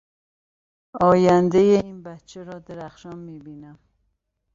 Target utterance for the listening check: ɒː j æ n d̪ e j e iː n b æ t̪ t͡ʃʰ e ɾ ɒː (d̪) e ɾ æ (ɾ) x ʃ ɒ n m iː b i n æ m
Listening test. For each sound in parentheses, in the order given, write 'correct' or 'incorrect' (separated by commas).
correct, incorrect